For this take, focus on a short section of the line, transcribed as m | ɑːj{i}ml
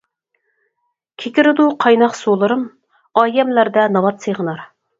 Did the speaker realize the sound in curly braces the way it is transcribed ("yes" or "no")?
no